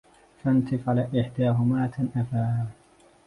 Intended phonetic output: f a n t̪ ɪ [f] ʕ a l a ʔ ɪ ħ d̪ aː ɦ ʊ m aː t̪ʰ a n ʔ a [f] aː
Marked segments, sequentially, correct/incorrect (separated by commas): correct, correct